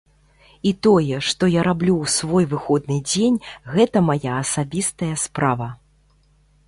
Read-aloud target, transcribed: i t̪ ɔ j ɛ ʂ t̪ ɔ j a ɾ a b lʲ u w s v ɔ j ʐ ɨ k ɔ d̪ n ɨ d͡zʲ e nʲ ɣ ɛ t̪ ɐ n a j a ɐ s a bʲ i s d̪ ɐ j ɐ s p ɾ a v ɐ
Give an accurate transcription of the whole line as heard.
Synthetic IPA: i t̪ ɔ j ɛ ʂ t̪ ɔ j a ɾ a b lʲ u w s v ɔ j v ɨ x ɔ d̪ n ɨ d͡zʲ e nʲ ɣ ɛ t̪ ɐ m a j a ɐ s a bʲ i s t̪ ɐ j ɐ s p ɾ a v ɐ